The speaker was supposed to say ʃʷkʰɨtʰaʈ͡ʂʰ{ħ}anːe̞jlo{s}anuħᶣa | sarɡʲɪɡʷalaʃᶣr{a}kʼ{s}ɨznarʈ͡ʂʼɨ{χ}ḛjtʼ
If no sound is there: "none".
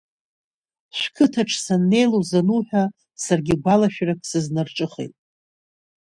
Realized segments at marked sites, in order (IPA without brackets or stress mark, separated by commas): s, z, a, s, χ